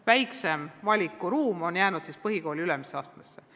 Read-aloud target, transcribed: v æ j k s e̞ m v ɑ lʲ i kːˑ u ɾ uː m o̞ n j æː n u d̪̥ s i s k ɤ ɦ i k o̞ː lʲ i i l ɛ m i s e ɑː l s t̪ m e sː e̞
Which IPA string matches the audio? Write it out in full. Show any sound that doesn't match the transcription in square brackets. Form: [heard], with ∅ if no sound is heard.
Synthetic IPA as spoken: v æ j k s e̞ m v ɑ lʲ i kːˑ u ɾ uː m o̞ n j æː n u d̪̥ s i s [p] ɤ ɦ i k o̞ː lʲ i [y] l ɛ m i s e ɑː [∅] s t̪ m e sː e̞